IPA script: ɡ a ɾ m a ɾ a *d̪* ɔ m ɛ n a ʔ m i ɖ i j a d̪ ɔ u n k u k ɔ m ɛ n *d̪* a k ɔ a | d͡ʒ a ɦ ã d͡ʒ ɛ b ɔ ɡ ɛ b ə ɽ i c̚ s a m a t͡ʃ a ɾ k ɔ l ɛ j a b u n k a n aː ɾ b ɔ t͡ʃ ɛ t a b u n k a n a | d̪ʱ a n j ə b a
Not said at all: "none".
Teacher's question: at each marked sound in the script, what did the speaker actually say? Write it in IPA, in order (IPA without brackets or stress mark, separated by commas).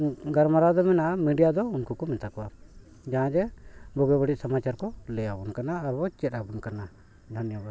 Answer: d̪, t̪